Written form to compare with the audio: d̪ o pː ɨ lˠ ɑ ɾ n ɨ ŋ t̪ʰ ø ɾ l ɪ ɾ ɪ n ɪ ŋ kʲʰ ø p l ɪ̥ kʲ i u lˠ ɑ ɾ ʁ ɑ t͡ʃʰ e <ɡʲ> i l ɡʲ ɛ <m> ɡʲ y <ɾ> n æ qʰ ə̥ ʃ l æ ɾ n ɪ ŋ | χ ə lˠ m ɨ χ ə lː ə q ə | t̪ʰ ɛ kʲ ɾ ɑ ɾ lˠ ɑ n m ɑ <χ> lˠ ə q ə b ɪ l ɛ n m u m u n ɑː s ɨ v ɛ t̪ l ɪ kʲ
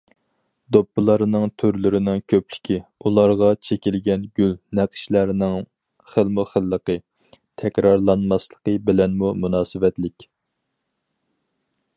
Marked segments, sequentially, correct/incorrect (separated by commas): incorrect, incorrect, incorrect, incorrect